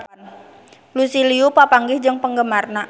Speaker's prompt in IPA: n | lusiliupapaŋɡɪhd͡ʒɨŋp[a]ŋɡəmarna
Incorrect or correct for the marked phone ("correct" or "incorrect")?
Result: incorrect